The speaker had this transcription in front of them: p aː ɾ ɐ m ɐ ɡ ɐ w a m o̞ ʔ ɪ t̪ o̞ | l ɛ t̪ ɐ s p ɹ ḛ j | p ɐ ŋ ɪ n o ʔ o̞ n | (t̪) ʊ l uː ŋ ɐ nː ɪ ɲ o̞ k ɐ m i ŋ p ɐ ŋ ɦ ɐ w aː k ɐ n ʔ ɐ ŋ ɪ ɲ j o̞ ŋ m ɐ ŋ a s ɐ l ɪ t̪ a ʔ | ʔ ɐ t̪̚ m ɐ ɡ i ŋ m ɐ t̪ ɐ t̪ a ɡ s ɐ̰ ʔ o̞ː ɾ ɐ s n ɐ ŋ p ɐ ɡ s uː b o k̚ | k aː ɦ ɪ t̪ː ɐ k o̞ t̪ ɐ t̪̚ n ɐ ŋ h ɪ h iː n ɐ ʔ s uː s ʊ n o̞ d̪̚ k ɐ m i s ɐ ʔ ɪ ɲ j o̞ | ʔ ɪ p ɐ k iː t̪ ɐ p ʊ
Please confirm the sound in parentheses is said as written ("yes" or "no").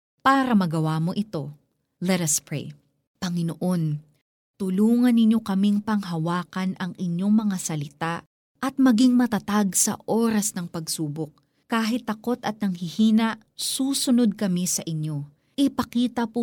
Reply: yes